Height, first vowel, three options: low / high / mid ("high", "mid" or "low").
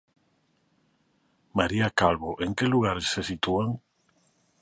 low